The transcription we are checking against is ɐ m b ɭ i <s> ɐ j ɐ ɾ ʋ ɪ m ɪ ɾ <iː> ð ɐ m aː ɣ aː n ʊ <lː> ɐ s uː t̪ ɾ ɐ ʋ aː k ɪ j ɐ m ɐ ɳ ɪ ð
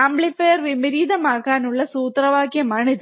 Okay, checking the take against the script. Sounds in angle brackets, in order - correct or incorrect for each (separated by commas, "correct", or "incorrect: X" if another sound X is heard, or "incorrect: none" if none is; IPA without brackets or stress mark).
incorrect: f, correct, incorrect: ɭː